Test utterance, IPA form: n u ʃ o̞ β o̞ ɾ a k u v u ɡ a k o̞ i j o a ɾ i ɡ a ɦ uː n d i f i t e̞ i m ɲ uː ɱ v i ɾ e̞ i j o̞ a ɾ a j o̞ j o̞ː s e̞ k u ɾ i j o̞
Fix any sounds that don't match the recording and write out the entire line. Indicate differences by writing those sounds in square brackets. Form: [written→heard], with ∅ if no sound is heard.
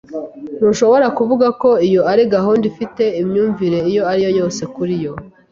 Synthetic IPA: n u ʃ o̞ β o̞ ɾ a k u v u ɡ a k o̞ i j o a ɾ i ɡ a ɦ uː n d i f i t e̞ i m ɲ uː ɱ v i ɾ e̞ i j o̞ a ɾ [a→i] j o̞ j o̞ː s e̞ k u ɾ i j o̞